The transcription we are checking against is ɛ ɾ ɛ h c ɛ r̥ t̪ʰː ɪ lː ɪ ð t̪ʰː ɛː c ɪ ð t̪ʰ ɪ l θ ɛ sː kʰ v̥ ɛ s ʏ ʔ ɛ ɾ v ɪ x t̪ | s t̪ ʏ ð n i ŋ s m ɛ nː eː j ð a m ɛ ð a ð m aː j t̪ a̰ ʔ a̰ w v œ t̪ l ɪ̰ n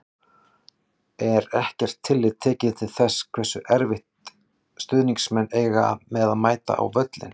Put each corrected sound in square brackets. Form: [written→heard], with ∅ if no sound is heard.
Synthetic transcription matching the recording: ɛ ɾ ɛ h c ɛ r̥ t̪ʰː ɪ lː ɪ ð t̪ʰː ɛː c ɪ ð t̪ʰ ɪ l θ ɛ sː kʰ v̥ ɛ s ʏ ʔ ɛ ɾ v ɪ [x→h] t̪ | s t̪ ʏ ð n i ŋ s m ɛ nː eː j [ð→ɣ] a m ɛ ð a ð m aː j t̪ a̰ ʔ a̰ w v œ t̪ l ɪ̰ n